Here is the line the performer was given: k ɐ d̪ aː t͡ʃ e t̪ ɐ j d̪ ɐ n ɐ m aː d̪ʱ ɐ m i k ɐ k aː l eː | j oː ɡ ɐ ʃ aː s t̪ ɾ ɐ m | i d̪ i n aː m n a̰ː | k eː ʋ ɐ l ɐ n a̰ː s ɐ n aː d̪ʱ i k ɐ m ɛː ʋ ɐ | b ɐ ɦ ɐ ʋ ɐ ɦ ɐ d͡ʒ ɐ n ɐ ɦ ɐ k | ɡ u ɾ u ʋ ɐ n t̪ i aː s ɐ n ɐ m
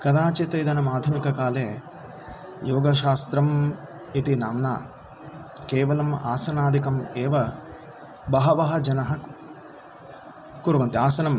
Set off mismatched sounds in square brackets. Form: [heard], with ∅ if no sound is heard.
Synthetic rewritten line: k ɐ d̪ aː t͡ʃ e t̪ ɐ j d̪ ɐ n ɐ m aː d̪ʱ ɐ m i k ɐ k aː l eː | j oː ɡ ɐ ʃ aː s t̪ ɾ ɐ m | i [t̪] i n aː m n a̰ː | k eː ʋ ɐ l ɐ [m] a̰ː s ɐ n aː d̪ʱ i k ɐ m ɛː ʋ ɐ | b ɐ ɦ ɐ ʋ ɐ ɦ ɐ d͡ʒ ɐ n ɐ ɦ ɐ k | [k] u ɾ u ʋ ɐ n t̪ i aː s ɐ n ɐ m